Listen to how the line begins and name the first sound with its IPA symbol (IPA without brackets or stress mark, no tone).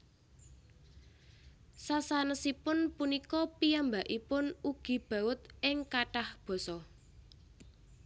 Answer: s